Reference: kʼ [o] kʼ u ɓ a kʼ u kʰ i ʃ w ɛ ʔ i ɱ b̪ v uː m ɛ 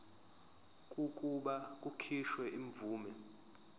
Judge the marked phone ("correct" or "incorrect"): incorrect